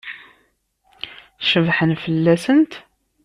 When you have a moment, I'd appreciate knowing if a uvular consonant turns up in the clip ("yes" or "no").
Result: no